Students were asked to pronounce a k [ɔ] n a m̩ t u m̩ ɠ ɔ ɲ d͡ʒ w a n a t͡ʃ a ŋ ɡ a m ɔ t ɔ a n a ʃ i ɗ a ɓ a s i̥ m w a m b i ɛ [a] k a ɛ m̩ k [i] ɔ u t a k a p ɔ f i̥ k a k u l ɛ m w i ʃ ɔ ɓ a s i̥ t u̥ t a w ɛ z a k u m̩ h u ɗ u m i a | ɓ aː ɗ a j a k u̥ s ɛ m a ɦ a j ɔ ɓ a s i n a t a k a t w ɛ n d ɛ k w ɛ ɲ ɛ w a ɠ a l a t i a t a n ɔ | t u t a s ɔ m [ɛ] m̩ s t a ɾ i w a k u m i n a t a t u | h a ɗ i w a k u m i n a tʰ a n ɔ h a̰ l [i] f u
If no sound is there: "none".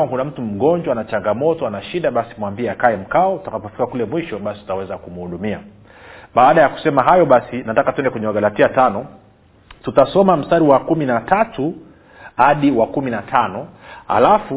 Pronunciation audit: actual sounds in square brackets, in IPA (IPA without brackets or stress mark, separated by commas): u, a, a, a, a